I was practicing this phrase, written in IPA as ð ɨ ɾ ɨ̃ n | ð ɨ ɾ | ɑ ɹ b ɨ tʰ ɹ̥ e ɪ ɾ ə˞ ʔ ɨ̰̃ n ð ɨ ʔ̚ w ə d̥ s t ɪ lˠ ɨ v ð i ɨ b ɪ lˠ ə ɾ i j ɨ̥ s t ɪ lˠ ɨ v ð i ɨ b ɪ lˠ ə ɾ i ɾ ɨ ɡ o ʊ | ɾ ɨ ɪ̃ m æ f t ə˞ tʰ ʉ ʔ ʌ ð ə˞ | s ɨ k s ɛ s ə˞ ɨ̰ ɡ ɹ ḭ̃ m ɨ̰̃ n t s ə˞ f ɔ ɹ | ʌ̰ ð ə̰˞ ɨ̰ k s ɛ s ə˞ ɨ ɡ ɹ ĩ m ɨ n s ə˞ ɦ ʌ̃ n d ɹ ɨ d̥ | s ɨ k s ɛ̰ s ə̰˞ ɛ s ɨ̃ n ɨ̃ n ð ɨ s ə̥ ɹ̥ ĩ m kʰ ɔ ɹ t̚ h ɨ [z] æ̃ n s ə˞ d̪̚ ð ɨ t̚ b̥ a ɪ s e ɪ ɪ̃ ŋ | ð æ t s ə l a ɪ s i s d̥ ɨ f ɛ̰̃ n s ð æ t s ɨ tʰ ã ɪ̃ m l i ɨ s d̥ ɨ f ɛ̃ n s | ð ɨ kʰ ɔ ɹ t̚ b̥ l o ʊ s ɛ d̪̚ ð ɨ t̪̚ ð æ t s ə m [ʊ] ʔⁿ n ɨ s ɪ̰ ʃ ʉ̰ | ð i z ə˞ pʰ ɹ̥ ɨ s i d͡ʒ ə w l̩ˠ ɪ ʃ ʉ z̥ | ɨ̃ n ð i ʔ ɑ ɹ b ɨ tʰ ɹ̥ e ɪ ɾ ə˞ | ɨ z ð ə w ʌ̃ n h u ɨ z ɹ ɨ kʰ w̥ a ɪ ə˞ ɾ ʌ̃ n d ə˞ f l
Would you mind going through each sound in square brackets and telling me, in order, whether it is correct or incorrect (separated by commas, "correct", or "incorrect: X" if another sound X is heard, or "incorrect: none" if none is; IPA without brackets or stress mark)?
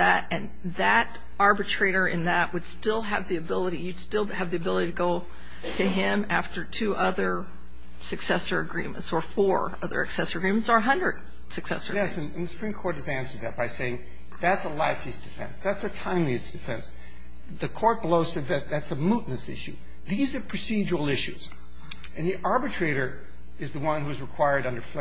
correct, incorrect: u